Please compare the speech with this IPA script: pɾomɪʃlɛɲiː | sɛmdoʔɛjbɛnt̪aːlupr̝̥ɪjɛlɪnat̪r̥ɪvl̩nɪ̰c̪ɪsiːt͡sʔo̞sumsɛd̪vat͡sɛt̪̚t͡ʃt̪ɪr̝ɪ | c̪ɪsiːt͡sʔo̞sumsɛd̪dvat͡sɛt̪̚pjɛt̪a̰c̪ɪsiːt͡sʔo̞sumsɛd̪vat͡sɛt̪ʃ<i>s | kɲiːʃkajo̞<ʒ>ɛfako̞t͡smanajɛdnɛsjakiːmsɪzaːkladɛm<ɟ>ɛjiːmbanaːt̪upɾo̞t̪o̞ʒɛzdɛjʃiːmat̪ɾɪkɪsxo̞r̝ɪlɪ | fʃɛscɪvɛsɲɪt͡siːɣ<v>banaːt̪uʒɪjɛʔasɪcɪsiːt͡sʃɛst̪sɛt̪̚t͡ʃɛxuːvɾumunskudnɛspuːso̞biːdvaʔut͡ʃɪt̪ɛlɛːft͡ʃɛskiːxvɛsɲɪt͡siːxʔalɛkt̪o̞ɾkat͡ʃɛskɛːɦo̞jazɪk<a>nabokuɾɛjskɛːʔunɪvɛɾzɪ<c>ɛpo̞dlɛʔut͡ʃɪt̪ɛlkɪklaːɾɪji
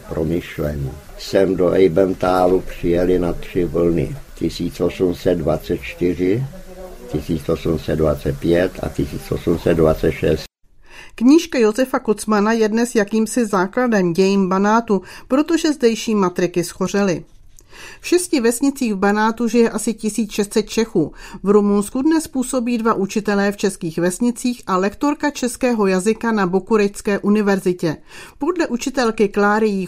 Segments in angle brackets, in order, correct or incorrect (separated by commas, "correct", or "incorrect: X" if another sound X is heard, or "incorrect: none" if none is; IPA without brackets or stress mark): incorrect: ɛ, incorrect: z, correct, correct, correct, correct